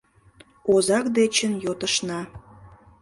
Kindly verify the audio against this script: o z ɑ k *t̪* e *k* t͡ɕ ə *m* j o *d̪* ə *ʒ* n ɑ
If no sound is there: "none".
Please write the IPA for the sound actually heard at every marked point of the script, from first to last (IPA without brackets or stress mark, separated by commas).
d̪, none, n, t̪, ʃ